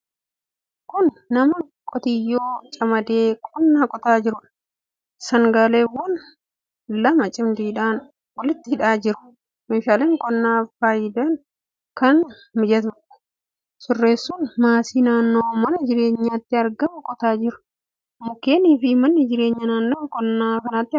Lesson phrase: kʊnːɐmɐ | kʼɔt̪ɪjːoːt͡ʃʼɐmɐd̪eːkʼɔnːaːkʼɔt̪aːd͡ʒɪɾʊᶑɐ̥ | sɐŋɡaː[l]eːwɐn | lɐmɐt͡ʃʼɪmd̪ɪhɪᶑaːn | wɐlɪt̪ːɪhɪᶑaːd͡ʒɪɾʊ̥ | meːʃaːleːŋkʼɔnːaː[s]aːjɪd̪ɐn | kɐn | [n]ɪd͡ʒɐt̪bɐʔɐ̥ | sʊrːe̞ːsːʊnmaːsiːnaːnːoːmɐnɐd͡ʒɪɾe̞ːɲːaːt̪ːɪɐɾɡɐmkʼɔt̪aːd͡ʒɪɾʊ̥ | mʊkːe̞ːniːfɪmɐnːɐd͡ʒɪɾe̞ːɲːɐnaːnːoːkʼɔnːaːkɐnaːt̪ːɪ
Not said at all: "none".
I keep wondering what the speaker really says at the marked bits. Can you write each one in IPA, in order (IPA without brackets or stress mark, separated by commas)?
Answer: l, f, m